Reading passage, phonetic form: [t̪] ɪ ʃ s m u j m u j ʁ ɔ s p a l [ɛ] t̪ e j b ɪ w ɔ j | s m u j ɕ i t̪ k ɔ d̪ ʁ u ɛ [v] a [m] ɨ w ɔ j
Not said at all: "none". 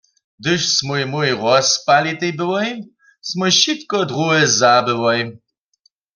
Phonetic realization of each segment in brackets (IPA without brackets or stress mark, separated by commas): d̪, i, z, b